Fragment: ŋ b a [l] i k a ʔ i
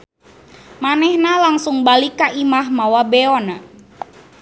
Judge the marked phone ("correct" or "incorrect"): correct